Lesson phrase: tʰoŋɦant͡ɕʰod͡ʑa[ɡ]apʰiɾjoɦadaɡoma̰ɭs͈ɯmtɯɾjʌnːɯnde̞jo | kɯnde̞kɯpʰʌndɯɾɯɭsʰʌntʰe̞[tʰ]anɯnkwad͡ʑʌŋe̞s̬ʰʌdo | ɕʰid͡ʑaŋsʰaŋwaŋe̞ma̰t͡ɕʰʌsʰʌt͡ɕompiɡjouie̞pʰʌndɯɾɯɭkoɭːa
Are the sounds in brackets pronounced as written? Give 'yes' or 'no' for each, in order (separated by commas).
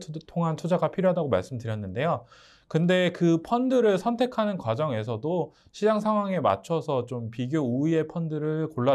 yes, no